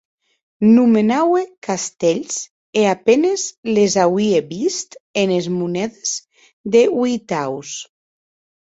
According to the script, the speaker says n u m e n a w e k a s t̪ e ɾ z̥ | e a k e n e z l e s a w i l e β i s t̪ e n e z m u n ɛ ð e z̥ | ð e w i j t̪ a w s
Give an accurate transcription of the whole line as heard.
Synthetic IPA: n u m e n a w e k a s t̪ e ʎ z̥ | e a p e n e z l e z a w i e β i s t̪ e n e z m u n ɛ ð e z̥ | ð e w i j t̪ a w s